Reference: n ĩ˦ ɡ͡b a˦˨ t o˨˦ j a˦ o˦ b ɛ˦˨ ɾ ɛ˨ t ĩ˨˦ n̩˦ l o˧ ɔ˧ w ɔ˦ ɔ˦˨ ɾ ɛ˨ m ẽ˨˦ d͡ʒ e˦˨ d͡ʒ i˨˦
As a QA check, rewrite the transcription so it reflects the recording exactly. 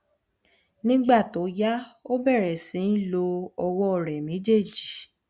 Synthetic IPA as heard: n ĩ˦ ɡ͡b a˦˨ t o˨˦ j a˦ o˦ b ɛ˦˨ ɾ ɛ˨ s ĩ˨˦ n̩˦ l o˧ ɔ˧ w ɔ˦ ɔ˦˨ ɾ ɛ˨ m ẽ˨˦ d͡ʒ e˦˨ d͡ʒ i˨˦